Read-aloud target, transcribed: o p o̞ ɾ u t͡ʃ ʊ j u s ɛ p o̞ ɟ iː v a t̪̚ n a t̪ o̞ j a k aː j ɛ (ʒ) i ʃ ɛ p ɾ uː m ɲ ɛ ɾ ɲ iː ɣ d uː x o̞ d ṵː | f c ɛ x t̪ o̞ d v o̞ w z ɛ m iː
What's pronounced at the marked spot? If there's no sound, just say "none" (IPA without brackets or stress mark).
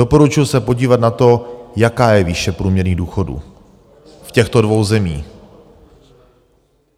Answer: v